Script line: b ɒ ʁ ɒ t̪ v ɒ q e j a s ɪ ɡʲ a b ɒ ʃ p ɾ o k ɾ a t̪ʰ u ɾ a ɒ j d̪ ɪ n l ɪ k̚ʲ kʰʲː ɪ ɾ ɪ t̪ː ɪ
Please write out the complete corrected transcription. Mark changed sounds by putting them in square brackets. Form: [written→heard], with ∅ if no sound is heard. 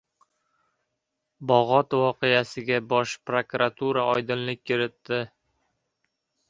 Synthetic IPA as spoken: b ɒ ʁ ɒ t̪ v ɒ q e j a s ɪ ɡʲ a b ɒ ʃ p ɾ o k ɾ a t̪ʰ u ɾ a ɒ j d̪ ɪ n l ɪ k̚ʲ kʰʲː ɪ ɾ ɪ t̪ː ɪ

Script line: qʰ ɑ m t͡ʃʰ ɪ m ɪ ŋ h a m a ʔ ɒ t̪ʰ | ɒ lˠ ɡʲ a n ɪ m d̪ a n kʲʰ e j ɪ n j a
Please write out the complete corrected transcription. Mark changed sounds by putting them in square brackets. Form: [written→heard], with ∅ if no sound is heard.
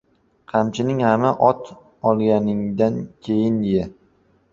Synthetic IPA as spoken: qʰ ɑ m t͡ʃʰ ɪ [m→n] ɪ ŋ h a m a ʔ ɒ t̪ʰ | ɒ lˠ ɡʲ a n ɪ [m→ŋ] d̪ a n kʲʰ e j ɪ n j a

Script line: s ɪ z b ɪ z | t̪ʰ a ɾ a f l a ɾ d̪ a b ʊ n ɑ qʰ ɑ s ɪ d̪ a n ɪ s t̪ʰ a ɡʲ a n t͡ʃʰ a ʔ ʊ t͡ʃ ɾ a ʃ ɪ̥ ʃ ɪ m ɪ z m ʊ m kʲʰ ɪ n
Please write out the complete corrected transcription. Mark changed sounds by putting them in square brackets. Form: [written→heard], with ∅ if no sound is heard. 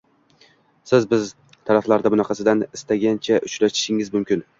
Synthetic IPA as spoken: s ɪ z b ɪ z | t̪ʰ a ɾ a f l a ɾ d̪ a b ʊ n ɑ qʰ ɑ s ɪ d̪ a n ɪ s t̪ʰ a ɡʲ a n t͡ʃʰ a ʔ ʊ t͡ʃ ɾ a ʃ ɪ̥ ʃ ɪ [m→ŋ] ɪ z m ʊ m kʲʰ ɪ n

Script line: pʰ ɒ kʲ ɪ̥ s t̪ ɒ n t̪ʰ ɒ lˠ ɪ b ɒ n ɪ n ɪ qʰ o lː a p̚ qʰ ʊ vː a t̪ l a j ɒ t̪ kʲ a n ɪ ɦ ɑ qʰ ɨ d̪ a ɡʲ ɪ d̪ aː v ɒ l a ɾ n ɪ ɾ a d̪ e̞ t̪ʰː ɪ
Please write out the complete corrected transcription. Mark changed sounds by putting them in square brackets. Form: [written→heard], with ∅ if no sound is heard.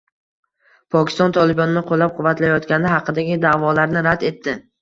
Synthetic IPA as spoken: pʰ ɒ kʲ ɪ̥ s t̪ ɒ n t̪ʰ ɒ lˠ ɪ b ɒ n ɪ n ɪ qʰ o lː a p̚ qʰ ʊ vː a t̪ l a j ɒ t̪ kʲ a n ɪ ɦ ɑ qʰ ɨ d̪ a ɡʲ ɪ d̪ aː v ɒ l a ɾ n ɪ ɾ a d̪ e̞ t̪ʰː ɪ

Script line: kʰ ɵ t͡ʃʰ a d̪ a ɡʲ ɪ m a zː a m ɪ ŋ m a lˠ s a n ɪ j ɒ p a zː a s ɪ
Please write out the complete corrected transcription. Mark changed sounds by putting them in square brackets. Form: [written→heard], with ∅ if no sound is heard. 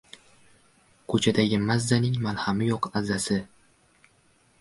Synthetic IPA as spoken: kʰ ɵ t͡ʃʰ a d̪ a ɡʲ ɪ m a zː a [m→n] ɪ ŋ m a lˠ [s→h] a [n→m] ɪ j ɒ [p→q] a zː a s ɪ

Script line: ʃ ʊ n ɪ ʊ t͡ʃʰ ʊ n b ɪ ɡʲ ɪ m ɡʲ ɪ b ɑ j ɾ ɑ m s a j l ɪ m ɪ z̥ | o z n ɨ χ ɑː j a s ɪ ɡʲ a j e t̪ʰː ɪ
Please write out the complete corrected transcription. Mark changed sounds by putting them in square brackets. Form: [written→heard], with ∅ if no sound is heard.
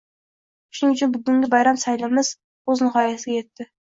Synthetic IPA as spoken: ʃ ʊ n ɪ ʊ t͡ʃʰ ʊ n b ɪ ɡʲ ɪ [m→ŋ] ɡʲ ɪ b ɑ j ɾ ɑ m s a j l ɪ m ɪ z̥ | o z n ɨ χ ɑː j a s ɪ ɡʲ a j e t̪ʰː ɪ

